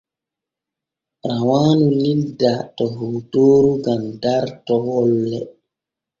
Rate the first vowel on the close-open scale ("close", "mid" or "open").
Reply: open